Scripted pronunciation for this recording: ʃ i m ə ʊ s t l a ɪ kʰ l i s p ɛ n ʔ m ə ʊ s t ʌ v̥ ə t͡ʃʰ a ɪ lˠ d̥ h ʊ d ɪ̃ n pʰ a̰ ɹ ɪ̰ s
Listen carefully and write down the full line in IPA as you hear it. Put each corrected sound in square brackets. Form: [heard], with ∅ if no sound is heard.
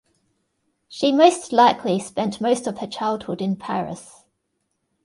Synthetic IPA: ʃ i m ə ʊ s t l a ɪ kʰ l i s p [ɛ̃] n ʔ m ə ʊ s t [ə] v̥ ə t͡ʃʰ a ɪ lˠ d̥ h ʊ d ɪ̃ n pʰ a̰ ɹ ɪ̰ s